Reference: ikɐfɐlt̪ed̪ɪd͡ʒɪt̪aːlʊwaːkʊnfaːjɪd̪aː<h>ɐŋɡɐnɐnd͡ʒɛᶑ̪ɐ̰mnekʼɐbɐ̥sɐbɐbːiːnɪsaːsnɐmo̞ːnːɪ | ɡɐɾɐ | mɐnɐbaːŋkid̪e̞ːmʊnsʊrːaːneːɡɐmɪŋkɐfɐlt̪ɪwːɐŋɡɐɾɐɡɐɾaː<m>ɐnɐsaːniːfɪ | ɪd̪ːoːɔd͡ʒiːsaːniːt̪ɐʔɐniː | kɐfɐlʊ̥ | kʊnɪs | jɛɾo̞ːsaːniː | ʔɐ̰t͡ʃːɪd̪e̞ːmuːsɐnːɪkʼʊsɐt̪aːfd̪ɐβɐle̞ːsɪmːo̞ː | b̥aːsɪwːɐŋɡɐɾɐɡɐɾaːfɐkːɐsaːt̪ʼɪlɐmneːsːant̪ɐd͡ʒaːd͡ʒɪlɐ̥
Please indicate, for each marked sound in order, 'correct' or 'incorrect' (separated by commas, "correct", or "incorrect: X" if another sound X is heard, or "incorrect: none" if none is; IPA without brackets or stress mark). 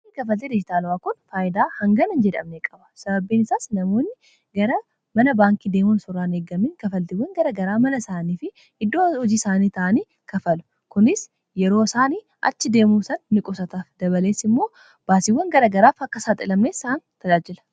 correct, correct